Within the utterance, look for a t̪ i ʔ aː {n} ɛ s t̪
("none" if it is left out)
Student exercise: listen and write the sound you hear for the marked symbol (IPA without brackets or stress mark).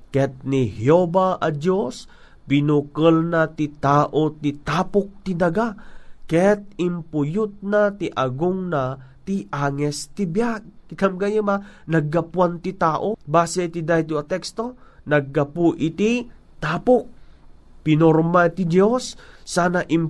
ŋ